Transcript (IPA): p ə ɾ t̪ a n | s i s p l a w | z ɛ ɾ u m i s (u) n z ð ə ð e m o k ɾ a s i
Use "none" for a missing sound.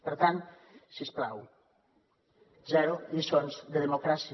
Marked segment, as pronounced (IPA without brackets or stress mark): o